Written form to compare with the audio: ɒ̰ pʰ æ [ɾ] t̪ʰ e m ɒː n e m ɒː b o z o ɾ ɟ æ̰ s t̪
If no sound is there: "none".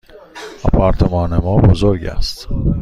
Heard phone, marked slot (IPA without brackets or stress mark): ɾ